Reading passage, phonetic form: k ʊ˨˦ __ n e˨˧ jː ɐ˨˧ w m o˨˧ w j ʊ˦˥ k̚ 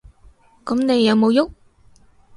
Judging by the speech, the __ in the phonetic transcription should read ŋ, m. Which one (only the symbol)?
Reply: m